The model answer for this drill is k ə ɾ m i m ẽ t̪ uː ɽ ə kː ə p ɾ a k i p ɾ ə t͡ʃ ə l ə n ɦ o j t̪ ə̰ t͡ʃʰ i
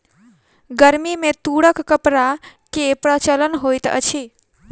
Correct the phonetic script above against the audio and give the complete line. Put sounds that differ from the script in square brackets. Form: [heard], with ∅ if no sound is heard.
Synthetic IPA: [ɡ] ə ɾ m i m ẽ t̪ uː ɽ ə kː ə p ɾ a k [e] p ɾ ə t͡ʃ ə l ə n ɦ o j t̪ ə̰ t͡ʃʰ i